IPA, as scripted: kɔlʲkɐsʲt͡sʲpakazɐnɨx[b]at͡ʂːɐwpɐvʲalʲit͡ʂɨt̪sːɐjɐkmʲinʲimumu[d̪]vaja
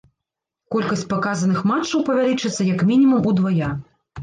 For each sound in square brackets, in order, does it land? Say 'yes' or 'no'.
no, yes

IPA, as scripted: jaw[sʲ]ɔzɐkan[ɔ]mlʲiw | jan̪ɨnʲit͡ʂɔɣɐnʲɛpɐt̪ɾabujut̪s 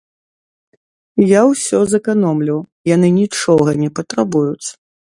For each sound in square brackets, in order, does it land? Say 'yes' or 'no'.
yes, yes

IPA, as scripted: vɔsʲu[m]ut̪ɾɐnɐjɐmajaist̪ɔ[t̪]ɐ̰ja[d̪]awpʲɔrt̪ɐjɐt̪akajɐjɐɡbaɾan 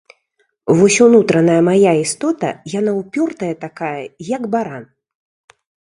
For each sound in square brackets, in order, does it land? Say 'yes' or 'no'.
no, yes, no

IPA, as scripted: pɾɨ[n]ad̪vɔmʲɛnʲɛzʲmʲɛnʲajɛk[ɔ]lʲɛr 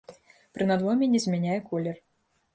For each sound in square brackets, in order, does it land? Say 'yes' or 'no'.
yes, yes

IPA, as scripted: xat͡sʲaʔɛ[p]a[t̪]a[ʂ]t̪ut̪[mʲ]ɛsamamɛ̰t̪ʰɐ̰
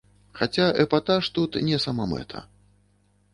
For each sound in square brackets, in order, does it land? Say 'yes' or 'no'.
yes, yes, yes, no

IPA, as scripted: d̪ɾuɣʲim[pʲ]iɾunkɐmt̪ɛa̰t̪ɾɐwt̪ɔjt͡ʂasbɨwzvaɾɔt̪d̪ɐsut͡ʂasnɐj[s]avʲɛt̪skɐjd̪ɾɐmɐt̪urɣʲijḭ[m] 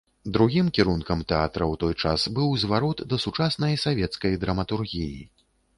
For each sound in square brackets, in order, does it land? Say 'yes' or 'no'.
no, yes, no

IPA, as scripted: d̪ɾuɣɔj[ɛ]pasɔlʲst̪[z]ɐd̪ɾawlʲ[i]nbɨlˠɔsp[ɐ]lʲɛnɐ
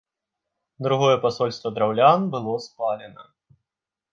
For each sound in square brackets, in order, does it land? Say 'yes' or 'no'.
yes, no, no, no

